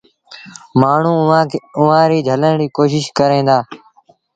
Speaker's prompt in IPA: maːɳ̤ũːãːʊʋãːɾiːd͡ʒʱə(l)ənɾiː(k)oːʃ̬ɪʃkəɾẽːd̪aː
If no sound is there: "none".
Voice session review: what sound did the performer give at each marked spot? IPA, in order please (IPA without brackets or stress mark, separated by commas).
l, k